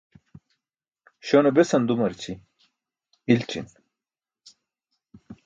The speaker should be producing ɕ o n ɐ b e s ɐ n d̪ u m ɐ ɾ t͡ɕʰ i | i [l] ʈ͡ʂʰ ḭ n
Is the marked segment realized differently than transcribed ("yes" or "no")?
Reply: no